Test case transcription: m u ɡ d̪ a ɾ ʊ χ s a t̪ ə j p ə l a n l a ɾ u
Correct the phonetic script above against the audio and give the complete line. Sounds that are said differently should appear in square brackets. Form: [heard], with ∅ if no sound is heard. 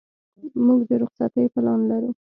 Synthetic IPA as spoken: m u ɡ d̪ [ə] ɾ ʊ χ s a t̪ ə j p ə l [ɑ] n l a ɾ u